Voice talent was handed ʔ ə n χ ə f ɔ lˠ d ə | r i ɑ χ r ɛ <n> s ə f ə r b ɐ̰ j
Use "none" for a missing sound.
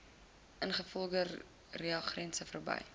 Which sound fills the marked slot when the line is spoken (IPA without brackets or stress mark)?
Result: n